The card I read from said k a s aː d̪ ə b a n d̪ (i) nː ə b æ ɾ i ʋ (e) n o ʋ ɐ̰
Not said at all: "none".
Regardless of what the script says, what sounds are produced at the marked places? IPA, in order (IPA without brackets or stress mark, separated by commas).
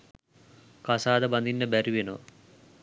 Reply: i, e